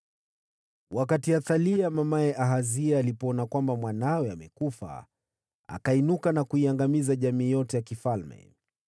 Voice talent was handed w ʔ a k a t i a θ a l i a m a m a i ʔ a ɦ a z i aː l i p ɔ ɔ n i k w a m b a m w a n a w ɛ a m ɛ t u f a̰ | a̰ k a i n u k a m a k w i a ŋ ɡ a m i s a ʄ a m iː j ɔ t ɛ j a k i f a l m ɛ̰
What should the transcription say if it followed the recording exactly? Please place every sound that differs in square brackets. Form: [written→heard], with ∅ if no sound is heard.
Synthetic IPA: w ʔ a k a t i a θ a l i a m a m a [i→ɛ] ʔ a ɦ a z i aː l i p ɔ ɔ n [i→a] k w a m b a m w a n a w ɛ a m ɛ [t→k] u f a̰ | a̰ k a i n u k a [m→n] a k [w→u] i a ŋ ɡ a m i [s→z] a ʄ a m iː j ɔ t ɛ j a k i f a l m ɛ̰